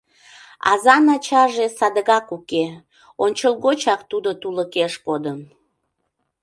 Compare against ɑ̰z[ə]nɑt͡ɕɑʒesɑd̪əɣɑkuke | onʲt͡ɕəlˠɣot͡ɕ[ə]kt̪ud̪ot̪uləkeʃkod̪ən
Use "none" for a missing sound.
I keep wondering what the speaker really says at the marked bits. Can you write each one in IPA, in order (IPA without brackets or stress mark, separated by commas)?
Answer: ɑ, ɑ